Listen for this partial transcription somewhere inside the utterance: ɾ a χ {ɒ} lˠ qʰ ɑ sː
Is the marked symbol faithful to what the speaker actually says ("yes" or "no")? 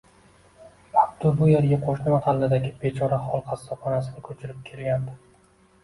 yes